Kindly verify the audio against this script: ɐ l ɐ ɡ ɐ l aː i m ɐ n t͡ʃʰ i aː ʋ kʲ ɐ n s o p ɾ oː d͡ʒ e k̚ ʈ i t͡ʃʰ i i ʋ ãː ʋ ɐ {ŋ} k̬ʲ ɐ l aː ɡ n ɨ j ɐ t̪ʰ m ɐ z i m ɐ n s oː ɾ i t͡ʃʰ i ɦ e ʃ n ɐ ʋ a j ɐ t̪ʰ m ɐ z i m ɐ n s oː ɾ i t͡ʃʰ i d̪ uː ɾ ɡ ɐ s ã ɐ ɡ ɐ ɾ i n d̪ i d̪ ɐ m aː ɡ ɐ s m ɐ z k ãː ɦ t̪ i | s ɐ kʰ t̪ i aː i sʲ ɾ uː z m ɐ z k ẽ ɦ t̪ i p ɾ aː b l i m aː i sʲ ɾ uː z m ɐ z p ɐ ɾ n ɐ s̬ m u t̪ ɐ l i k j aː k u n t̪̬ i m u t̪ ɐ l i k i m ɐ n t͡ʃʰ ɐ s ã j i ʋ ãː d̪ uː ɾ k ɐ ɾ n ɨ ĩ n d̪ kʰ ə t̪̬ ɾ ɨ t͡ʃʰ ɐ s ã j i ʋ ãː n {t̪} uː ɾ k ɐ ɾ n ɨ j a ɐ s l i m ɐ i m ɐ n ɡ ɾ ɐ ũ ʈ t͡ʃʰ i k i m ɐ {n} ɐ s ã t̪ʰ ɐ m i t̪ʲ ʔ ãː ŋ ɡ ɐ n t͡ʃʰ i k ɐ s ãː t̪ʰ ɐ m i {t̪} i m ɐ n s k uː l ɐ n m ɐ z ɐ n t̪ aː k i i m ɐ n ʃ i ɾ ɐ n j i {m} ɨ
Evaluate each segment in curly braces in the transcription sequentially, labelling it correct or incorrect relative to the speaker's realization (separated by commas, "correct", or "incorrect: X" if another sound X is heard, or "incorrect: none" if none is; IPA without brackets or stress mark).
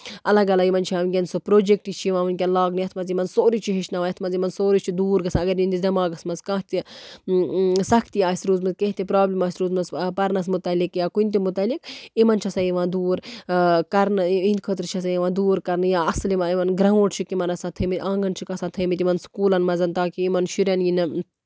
incorrect: n, incorrect: d̪, correct, correct, incorrect: n